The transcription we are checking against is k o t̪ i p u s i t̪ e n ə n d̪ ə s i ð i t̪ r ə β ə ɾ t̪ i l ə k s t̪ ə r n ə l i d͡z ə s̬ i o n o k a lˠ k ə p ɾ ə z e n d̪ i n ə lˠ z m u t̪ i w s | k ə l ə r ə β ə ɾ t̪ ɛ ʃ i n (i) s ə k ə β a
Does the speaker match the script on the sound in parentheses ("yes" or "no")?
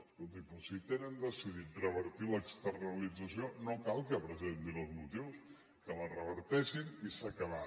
yes